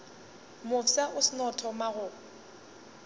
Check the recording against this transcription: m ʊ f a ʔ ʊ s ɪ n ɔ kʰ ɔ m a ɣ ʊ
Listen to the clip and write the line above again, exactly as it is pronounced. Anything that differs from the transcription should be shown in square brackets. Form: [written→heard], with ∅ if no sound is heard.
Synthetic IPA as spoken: m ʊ [f→s] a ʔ ʊ s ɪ n ɔ [kʰ→tʰ] ɔ m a ɣ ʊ